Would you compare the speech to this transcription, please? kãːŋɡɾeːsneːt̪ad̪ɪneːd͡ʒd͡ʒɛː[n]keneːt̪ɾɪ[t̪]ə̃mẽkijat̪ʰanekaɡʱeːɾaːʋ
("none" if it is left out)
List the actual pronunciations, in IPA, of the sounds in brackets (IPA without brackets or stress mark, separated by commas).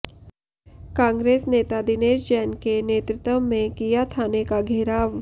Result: n, t̪